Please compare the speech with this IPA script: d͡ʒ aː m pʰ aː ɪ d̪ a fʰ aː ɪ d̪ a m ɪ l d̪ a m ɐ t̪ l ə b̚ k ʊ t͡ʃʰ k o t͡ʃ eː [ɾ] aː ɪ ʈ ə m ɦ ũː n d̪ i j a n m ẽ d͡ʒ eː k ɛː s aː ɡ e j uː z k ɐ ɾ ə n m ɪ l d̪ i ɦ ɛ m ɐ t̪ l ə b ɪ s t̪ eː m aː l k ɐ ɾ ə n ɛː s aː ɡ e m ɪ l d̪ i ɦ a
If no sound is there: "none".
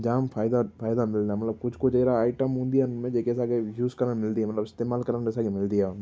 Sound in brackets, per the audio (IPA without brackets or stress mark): ɾ